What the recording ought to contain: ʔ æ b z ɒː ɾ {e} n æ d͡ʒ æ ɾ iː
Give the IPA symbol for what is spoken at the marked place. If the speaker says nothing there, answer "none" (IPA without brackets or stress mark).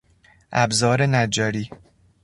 e